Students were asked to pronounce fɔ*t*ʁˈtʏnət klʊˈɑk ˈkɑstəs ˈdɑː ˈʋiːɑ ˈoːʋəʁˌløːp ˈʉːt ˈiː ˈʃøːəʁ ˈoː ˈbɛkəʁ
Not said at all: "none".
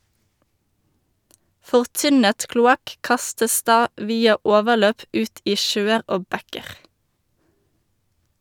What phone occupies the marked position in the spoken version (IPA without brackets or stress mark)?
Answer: none